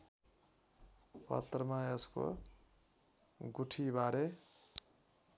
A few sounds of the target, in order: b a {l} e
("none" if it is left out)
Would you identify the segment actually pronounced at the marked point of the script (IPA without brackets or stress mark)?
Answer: ɾ